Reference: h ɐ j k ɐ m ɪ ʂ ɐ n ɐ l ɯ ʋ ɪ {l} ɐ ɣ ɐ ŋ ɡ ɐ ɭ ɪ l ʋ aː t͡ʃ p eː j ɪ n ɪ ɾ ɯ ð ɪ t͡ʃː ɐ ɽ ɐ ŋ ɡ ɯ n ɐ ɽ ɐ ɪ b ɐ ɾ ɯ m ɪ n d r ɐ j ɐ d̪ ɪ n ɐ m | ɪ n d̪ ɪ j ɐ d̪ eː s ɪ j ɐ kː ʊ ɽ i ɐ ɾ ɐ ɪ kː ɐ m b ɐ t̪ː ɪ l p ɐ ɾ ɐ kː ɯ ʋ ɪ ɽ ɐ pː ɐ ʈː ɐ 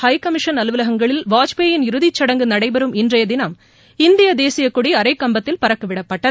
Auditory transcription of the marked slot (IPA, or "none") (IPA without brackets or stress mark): l